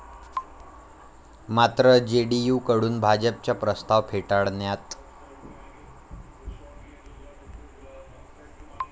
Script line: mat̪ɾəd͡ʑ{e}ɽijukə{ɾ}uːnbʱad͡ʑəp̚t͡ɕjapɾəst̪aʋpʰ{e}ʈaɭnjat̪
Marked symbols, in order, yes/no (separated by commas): yes, no, yes